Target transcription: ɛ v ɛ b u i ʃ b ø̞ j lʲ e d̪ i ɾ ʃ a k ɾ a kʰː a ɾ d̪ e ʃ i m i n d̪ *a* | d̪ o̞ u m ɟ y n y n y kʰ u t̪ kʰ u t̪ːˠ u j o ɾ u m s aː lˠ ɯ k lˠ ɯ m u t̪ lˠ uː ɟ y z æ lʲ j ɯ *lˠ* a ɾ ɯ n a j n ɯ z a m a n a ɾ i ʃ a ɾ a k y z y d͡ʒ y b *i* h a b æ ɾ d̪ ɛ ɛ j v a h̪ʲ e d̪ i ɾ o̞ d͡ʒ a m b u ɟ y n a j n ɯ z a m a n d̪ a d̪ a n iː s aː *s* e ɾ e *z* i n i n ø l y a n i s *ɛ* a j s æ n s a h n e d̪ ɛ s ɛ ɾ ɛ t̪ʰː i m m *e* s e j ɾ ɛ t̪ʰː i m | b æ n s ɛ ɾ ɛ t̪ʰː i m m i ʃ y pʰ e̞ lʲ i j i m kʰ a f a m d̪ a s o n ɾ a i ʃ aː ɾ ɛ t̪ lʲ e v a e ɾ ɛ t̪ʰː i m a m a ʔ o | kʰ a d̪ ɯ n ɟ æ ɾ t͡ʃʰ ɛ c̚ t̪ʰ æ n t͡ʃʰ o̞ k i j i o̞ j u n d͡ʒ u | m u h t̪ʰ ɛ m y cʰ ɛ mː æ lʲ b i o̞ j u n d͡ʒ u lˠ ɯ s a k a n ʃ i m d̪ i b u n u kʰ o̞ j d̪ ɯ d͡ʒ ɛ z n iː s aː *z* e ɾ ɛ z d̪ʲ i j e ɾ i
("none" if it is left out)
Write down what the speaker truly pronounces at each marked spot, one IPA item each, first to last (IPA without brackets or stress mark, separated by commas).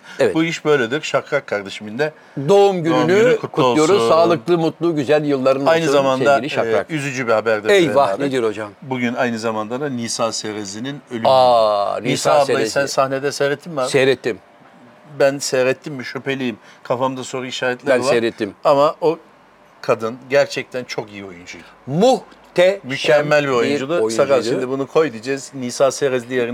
ɛ, lˠː, i, s, z, a, a, s